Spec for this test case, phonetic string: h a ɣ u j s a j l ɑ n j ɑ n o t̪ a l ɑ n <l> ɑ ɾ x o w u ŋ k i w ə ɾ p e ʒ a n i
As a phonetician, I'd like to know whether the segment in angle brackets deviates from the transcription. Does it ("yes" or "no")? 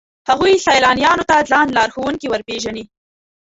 no